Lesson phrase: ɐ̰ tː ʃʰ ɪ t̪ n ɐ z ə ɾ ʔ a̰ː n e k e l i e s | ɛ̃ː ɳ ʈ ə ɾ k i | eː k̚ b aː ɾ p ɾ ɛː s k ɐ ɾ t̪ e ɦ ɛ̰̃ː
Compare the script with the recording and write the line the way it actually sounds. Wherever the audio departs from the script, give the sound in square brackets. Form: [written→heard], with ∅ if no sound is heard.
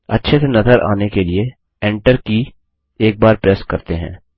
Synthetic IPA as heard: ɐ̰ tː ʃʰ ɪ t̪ n ɐ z ə ɾ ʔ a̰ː n e k e l i e [s→∅] | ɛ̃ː ɳ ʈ ə ɾ k i | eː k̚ b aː ɾ p ɾ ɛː s k ɐ ɾ t̪ e ɦ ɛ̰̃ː